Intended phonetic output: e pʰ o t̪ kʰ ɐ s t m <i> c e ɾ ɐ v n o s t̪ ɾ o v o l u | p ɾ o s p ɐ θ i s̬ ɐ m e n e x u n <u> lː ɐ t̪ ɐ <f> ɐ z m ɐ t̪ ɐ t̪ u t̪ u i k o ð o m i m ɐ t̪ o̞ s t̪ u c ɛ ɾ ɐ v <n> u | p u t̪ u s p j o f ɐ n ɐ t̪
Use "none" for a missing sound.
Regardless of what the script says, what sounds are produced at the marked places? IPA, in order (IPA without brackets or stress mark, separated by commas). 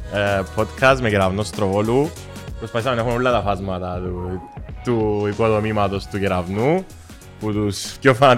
e, o, f, n